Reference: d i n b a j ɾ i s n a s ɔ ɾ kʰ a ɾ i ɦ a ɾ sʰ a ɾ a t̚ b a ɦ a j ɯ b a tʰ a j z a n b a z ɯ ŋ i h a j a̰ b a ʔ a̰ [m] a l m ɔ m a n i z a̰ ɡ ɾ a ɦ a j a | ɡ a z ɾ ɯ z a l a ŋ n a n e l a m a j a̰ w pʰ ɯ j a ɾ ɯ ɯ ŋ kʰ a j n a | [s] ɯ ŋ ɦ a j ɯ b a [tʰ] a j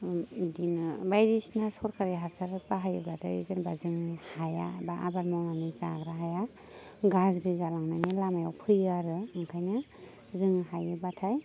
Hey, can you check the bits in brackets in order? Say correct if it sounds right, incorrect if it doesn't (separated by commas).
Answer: incorrect, incorrect, correct